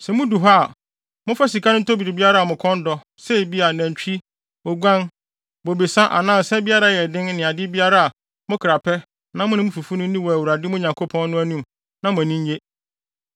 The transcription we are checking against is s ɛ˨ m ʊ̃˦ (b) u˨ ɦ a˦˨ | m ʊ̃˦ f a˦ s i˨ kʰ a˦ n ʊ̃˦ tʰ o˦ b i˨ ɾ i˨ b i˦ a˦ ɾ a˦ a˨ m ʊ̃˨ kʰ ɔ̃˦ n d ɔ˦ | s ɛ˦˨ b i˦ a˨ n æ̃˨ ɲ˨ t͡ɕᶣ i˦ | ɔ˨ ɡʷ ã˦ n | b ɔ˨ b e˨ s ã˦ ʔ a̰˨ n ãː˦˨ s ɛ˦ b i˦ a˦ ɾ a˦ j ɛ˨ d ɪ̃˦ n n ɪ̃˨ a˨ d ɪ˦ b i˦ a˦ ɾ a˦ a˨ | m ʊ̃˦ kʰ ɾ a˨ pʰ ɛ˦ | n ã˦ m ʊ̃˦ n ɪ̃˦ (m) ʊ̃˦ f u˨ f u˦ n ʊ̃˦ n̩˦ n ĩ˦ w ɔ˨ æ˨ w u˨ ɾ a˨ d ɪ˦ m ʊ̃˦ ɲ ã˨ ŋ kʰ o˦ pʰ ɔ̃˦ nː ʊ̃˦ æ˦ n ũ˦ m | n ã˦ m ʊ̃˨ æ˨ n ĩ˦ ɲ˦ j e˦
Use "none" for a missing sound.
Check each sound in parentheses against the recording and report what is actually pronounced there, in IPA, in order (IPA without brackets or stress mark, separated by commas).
d, m